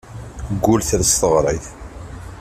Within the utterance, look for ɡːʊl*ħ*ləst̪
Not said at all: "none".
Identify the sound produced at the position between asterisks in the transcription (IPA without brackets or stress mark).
θ